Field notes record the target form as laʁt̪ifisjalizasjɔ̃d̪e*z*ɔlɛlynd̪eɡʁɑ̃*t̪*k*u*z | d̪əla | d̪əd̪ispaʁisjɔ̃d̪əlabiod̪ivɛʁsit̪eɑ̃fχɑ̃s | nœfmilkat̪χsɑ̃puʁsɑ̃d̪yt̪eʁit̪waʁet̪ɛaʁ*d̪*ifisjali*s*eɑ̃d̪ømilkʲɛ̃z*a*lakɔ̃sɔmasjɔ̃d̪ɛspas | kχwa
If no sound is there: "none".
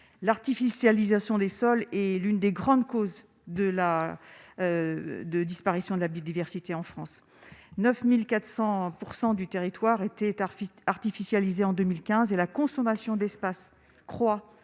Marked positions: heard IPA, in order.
s, d̪, o, t̪, z, e

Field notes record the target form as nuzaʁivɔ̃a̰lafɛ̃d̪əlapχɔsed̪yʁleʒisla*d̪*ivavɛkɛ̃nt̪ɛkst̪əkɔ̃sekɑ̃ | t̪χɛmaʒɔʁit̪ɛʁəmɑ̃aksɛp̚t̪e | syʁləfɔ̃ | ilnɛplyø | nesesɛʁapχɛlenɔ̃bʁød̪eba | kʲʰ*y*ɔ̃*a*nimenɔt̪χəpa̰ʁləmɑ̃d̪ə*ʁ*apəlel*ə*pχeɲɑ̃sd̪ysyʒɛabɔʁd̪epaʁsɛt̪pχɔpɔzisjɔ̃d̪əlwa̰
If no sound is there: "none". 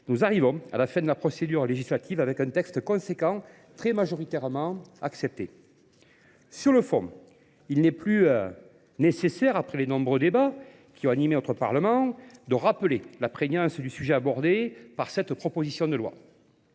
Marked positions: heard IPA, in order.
t̪, i, a, ʁ, a

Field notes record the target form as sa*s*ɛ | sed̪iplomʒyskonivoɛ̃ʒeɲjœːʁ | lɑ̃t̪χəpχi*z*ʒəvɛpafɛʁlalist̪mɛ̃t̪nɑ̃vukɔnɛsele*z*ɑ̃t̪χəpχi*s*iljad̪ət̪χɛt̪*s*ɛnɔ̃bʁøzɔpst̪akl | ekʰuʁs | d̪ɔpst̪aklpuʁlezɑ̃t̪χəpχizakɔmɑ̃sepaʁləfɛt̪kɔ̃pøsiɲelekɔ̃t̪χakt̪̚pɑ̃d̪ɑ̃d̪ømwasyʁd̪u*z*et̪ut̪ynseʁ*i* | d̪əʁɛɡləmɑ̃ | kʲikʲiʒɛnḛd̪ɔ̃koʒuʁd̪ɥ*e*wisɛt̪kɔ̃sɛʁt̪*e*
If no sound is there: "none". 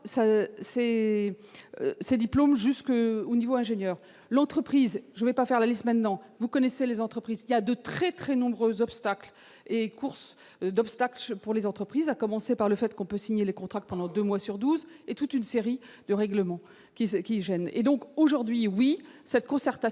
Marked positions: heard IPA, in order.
s, z, z, z, χ, z, i, i, a

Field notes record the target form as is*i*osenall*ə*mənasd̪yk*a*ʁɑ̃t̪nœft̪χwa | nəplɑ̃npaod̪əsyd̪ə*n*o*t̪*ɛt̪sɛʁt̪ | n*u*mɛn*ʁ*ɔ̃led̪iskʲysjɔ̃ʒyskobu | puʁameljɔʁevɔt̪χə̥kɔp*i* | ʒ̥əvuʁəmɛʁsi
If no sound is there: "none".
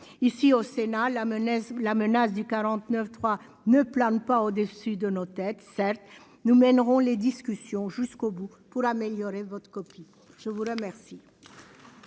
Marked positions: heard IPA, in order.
i, a, a, n, t̪, u, ʁ, i

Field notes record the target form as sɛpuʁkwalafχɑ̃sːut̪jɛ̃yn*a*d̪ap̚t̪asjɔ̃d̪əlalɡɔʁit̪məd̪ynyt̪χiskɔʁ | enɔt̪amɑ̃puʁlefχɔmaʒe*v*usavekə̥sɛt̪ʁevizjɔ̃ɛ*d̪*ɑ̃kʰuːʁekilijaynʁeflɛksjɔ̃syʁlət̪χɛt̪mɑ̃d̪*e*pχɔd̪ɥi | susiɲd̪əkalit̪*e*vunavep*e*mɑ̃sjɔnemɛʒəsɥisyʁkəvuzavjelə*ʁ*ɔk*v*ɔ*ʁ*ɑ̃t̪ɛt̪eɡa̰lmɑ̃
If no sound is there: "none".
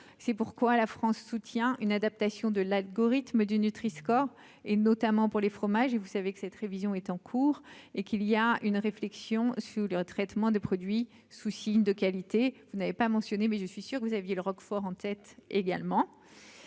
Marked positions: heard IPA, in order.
a, v, t̪, e, e, a, ʁ, f, ʁ

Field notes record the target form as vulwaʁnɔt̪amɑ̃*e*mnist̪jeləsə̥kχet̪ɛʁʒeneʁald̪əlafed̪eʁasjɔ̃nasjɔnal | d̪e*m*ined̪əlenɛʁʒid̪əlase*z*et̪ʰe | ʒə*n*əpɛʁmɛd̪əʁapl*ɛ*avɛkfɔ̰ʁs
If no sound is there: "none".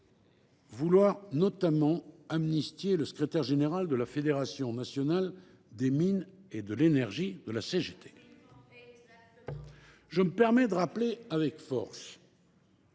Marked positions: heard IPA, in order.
a, m, ʒ, m, e

